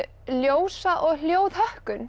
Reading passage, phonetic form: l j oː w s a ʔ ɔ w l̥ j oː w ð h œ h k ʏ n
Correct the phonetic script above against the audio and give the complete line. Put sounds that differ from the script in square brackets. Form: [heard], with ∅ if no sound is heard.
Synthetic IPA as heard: l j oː w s a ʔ ɔ [ɣ] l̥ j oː w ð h œ h k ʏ n